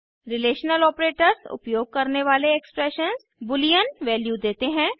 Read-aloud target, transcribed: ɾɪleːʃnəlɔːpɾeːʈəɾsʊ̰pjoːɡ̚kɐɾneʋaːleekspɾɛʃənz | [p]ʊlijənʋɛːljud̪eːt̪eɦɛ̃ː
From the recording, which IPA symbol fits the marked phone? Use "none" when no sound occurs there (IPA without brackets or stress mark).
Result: b